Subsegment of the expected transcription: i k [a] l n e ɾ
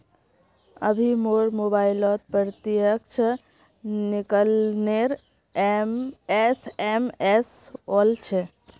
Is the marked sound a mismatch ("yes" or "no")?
yes